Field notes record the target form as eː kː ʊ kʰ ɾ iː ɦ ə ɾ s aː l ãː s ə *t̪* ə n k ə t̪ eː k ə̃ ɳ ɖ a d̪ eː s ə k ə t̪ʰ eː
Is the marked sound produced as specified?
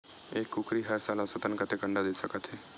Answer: yes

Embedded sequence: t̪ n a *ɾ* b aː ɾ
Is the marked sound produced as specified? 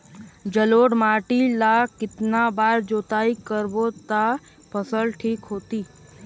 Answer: no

